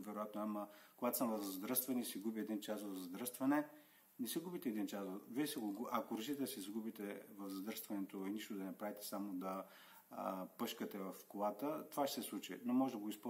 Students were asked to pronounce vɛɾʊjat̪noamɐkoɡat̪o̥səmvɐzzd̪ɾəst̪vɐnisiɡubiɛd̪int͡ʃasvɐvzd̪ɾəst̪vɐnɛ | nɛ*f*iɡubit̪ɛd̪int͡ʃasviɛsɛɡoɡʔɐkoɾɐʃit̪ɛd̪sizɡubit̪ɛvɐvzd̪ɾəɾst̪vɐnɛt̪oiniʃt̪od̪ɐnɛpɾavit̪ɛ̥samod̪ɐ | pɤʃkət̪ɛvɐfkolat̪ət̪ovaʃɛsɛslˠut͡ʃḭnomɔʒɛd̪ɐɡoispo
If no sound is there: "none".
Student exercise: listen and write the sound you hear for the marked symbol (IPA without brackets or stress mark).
s